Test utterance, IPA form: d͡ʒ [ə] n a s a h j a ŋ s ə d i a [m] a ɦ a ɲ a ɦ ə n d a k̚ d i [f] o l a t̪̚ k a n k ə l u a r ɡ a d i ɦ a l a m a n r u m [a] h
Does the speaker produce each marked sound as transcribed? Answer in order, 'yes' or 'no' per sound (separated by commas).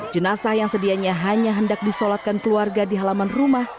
yes, no, no, yes